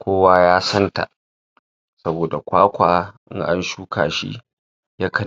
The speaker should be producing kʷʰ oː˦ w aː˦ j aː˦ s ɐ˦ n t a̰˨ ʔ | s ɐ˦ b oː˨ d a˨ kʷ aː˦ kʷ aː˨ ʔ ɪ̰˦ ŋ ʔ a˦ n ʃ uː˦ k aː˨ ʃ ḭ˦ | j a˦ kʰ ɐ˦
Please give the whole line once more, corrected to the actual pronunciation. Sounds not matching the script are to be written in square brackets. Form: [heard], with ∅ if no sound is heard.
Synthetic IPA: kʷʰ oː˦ w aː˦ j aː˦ s ɐ˦ n t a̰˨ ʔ | s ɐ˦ b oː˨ d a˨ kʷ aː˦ kʷ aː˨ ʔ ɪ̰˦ ŋ ʔ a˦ n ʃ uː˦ k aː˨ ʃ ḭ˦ | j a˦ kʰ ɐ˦